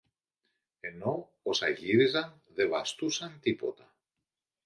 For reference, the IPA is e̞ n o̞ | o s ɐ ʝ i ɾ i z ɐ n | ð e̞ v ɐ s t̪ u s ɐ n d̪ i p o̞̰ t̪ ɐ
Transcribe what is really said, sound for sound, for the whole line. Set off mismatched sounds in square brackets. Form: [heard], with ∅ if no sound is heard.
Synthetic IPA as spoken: e̞ n o̞ | o s ɐ ʝ i ɾ i z ɐ n | ð e̞ v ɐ s t̪ u s ɐ n [t̪] i p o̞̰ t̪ ɐ

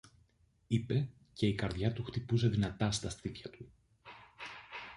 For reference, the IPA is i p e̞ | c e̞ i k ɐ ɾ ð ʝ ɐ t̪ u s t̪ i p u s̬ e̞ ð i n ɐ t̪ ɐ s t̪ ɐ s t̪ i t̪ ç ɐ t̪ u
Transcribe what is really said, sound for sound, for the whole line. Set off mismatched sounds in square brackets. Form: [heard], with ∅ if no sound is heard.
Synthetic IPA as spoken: i p e̞ | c e̞ i k ɐ ɾ ð ʝ ɐ t̪ u [x] t̪ i p u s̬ e̞ ð i n ɐ t̪ ɐ s t̪ ɐ s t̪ i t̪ ç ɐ t̪ u

